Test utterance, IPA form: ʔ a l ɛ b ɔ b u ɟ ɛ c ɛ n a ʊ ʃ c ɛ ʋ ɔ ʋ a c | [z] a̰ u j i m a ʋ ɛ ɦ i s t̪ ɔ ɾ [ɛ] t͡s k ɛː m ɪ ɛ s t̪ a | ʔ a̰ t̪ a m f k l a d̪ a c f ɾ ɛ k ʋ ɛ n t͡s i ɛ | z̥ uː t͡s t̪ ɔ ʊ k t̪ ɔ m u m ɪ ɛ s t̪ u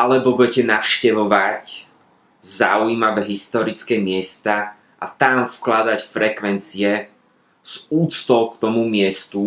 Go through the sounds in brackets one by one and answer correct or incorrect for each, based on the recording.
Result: correct, incorrect

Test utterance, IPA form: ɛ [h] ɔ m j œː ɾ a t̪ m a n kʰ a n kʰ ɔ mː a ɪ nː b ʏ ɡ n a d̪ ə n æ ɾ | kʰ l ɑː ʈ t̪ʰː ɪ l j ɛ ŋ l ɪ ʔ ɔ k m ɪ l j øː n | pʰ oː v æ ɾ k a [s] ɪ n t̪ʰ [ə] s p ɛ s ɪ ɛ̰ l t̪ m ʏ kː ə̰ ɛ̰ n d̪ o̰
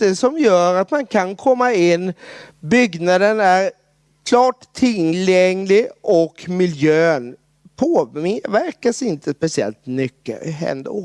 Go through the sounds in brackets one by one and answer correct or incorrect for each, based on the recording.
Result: incorrect, correct, correct

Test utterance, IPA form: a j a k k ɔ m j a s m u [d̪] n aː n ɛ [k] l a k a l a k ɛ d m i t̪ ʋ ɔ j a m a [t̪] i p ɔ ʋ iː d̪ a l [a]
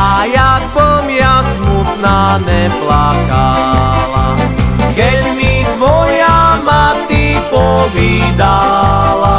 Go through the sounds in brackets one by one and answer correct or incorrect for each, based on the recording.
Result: incorrect, incorrect, correct, correct

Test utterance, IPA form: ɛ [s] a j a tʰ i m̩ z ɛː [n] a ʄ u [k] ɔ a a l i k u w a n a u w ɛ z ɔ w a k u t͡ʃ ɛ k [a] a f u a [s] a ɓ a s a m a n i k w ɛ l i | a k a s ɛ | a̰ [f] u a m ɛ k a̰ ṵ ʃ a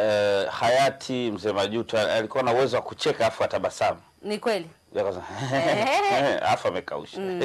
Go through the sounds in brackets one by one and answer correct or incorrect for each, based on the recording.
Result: incorrect, incorrect, incorrect, correct, incorrect, correct

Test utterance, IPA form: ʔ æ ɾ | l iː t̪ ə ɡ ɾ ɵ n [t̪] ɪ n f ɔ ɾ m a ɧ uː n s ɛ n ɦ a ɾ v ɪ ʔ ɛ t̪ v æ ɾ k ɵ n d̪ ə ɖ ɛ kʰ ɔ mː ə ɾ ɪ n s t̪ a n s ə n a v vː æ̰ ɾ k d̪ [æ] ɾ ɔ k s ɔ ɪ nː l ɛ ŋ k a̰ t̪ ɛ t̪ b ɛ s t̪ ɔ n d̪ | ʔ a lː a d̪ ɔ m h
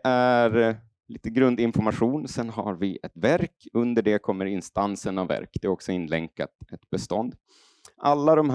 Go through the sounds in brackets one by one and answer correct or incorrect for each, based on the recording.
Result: incorrect, incorrect

